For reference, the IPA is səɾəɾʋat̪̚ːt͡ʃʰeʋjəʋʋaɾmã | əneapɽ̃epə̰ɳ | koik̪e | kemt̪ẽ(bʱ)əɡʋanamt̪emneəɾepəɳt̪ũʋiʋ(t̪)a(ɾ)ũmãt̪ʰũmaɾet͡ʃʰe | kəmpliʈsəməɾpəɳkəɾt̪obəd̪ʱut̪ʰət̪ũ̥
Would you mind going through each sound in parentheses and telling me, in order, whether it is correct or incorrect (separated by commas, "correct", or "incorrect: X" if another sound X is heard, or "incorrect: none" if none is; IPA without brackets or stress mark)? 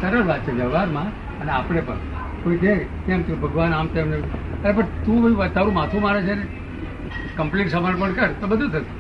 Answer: correct, correct, correct